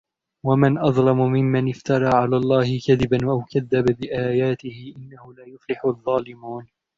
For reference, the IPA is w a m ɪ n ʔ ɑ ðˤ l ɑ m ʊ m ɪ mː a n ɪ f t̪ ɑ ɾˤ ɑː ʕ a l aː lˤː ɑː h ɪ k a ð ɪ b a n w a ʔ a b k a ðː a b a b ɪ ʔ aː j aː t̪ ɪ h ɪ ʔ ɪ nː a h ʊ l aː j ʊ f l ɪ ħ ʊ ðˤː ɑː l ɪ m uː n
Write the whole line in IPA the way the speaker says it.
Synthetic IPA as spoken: w a m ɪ n ʔ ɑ ðˤ l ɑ m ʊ m ɪ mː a n ɪ f t̪ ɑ ɾˤ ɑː ʕ a l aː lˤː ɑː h ɪ k a ð ɪ b a n w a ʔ a w k a ðː a b a b ɪ ʔ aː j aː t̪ ɪ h ɪ ʔ ɪ nː a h ʊ l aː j ʊ f l ɪ ħ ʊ ðˤː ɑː l ɪ m uː n